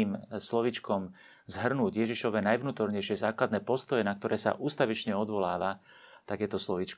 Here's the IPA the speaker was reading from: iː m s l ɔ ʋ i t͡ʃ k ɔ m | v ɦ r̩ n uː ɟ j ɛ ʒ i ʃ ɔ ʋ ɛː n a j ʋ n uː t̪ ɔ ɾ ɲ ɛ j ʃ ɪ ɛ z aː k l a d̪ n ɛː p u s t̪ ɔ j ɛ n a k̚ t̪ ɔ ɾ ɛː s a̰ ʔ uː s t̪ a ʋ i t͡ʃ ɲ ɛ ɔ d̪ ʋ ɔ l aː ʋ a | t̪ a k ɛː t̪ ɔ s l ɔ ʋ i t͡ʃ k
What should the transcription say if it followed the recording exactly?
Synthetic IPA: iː m s l ɔ ʋ i t͡ʃ k ɔ m | z ɦ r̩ n uː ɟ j ɛ ʒ i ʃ ɔ ʋ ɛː n a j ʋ n uː t̪ ɔ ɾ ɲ ɛ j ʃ ɪ ɛ z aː k l a d̪ n ɛː p ɔ s t̪ ɔ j ɛ n a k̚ t̪ ɔ ɾ ɛː s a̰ ʔ uː s t̪ a ʋ i t͡ʃ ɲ ɛ ɔ d̪ ʋ ɔ l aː ʋ a | t̪ a k ɛː t̪ ɔ s l ɔ ʋ i t͡ʃ k